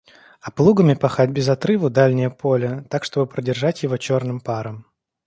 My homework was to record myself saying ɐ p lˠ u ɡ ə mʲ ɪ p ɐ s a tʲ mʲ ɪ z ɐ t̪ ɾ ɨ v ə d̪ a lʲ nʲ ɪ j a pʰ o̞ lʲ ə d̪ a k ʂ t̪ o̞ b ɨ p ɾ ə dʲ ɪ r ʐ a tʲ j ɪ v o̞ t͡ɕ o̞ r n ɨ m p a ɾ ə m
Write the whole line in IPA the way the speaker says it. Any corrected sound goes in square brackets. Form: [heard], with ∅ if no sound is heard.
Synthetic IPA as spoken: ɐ p lˠ u ɡ ə mʲ ɪ p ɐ [x] a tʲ [bʲ] ɪ z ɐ t̪ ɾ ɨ v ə d̪ a lʲ nʲ ɪ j [ə] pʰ o̞ lʲ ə [t̪] a k ʂ t̪ o̞ b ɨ p ɾ ə dʲ ɪ r ʐ a tʲ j ɪ v o̞ t͡ɕ o̞ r n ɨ m p a ɾ ə m